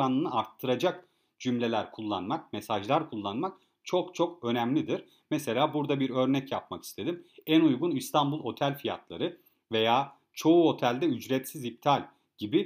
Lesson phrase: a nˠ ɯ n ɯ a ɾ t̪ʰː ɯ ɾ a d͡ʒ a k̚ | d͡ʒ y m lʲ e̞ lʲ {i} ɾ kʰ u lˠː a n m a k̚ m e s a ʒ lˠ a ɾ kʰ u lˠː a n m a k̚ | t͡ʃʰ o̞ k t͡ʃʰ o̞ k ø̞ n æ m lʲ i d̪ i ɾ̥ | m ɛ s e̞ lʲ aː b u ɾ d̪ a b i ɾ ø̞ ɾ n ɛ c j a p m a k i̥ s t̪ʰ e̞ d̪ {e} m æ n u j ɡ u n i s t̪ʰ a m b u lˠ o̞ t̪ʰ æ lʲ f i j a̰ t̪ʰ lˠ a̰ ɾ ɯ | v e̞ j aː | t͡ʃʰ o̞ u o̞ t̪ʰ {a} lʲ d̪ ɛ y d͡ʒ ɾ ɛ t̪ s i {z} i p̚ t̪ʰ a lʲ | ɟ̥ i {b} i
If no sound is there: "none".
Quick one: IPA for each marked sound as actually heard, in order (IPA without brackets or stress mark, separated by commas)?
æ, i, æ, z, b